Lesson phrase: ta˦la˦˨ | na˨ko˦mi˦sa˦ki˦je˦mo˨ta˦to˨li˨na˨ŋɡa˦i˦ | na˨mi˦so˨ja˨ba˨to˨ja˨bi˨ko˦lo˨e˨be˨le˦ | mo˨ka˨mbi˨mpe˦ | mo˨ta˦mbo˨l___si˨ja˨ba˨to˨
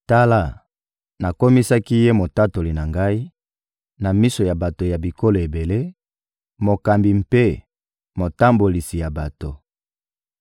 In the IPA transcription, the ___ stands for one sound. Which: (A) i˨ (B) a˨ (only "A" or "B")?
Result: A